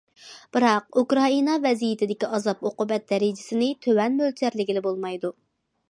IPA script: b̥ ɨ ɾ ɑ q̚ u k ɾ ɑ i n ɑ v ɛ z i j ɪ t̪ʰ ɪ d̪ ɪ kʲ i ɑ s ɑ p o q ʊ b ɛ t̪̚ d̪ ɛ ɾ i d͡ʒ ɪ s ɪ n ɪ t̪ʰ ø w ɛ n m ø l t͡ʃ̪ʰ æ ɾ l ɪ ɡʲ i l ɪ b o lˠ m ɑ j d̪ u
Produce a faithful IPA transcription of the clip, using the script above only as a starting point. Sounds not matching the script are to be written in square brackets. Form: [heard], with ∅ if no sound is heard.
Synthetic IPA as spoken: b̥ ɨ ɾ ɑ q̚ u k ɾ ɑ i n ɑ v ɛ z i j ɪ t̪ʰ ɪ d̪ ɪ kʲ i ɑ [z] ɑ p o q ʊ b ɛ t̪̚ d̪ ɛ ɾ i d͡ʒ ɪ s ɪ n ɪ t̪ʰ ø w ɛ n m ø l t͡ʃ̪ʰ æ ɾ l ɪ ɡʲ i l ɪ b o lˠ m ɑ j d̪ u